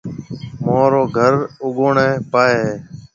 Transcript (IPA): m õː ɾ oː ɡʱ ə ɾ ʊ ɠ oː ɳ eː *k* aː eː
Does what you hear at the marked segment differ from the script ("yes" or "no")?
yes